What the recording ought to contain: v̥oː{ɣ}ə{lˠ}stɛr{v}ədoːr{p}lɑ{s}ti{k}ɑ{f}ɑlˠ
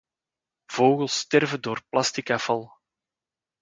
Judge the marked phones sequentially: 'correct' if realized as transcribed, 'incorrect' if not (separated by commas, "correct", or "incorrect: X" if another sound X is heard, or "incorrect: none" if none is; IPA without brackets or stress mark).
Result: correct, correct, correct, correct, correct, correct, correct